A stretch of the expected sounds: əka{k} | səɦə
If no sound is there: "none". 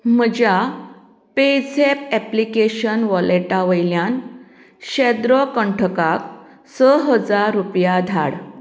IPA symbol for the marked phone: k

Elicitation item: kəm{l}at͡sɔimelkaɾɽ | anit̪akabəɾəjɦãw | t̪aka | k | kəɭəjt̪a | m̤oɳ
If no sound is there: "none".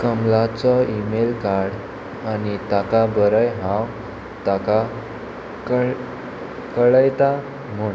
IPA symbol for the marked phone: l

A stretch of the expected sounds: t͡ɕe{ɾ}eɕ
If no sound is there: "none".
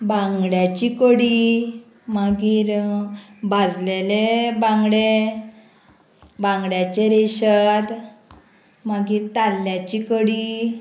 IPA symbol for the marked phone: ɾ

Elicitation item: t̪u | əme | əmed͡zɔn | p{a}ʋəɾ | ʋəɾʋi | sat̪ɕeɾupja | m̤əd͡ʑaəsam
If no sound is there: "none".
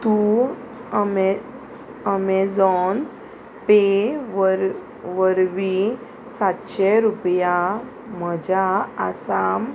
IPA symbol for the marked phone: e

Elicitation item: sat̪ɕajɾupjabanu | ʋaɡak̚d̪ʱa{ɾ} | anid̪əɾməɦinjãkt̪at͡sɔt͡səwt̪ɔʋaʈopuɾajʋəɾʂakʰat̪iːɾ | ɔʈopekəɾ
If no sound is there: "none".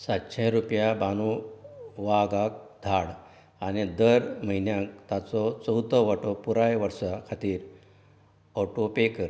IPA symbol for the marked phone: ɽ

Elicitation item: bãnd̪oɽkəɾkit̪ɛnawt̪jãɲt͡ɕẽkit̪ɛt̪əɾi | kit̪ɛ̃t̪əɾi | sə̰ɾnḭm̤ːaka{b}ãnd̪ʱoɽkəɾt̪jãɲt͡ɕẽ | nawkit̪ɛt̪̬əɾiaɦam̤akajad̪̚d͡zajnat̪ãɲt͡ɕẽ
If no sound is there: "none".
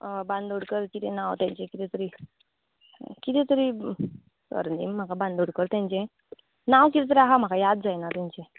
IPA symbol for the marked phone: b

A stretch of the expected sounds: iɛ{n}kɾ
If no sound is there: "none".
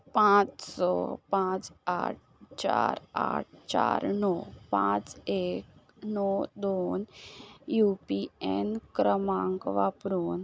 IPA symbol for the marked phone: n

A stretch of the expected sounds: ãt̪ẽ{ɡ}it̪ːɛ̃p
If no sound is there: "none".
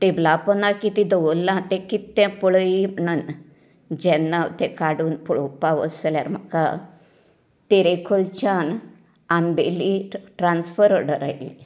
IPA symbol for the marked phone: k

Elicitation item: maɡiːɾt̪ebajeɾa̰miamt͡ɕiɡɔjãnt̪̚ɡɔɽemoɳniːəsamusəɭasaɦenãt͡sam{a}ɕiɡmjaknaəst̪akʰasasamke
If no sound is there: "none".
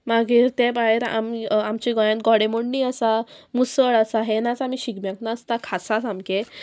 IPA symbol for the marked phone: i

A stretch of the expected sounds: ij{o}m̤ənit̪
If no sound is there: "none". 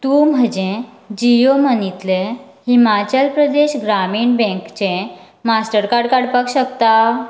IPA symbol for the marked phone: o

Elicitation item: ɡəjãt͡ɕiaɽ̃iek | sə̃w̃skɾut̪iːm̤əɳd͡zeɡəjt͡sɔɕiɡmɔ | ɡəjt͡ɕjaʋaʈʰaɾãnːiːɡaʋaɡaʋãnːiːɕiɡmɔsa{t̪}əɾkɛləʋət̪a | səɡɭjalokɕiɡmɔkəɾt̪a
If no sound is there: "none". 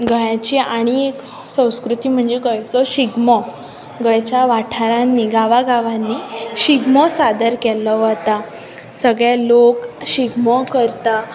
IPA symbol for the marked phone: d̪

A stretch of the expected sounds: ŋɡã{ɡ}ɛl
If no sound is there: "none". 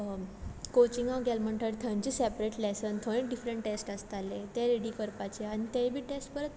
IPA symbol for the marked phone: ɡ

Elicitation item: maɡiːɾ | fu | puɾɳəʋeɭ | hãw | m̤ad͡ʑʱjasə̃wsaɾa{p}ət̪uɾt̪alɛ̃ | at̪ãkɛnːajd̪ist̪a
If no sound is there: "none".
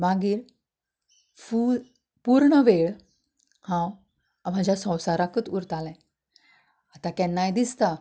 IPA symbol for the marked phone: k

